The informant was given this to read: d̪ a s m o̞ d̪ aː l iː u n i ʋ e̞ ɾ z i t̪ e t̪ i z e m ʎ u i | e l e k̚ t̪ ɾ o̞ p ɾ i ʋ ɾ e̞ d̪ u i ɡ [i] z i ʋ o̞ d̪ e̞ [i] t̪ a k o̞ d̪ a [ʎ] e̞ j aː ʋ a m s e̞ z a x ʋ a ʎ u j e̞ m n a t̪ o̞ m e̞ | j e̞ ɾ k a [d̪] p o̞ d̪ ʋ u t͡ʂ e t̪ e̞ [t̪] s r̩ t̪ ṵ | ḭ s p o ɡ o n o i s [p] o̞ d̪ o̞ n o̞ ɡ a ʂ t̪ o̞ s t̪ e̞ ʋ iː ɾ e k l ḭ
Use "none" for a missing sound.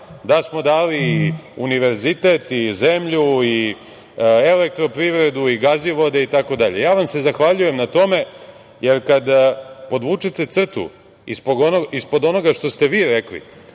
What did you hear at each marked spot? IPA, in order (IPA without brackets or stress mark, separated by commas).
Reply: a, i, ʎ, d̪, t̪, p